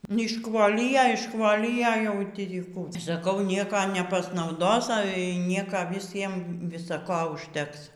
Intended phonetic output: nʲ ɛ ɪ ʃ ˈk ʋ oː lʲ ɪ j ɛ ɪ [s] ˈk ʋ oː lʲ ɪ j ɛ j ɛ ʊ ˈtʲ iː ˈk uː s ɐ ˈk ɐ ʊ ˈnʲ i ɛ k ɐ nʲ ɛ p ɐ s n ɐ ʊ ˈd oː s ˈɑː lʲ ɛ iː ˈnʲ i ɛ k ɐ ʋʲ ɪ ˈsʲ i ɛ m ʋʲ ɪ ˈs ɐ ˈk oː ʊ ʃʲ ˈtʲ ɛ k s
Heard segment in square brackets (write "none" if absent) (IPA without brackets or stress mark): ʃ